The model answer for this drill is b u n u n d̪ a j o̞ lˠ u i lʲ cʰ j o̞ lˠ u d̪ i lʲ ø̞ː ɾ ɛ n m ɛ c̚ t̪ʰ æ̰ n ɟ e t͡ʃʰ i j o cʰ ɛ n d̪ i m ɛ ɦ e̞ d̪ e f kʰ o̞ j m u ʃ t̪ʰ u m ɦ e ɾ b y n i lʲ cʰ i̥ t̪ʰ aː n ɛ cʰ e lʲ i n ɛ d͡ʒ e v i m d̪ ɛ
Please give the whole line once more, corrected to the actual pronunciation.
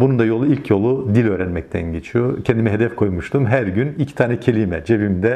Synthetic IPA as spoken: b u n u n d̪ a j o̞ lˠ u i lʲ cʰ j o̞ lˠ u d̪ i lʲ ø̞ː ɾ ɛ n m ɛ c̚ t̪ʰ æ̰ n ɟ e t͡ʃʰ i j o cʰ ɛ n d̪ i m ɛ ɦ e̞ d̪ ɛ f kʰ o̞ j m u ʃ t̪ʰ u m ɦ æ ɾ ɟ y n i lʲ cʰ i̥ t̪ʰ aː n ɛ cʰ e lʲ i m ɛ d͡ʒ e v i m d̪ ɛ